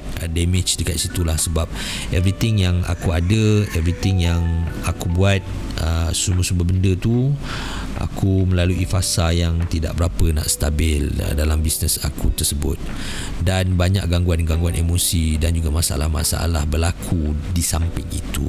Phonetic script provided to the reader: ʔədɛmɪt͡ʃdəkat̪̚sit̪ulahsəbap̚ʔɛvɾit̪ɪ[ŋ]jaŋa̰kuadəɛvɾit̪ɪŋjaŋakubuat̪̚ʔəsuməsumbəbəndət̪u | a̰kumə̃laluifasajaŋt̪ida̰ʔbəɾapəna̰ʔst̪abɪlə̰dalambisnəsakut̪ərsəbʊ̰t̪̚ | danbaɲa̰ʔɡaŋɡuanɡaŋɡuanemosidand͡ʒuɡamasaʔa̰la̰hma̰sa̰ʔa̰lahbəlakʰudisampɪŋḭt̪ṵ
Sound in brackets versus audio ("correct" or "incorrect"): correct